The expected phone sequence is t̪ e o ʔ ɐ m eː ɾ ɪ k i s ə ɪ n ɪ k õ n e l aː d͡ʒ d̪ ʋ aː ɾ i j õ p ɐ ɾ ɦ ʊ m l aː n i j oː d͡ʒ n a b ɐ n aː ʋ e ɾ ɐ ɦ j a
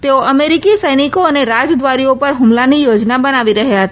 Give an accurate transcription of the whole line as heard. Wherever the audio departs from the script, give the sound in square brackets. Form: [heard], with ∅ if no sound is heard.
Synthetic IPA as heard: t̪ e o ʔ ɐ m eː ɾ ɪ k i s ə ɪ n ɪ k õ n e [ɾ] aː d͡ʒ d̪ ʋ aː ɾ i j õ p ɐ ɾ ɦ ʊ m l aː n i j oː d͡ʒ n a b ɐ n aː ʋ [i] ɾ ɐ ɦ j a